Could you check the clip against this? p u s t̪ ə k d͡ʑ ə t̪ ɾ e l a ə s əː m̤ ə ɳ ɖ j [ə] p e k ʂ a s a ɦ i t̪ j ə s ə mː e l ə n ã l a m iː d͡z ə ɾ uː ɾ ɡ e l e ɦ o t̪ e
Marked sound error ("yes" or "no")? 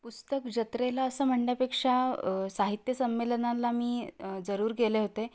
yes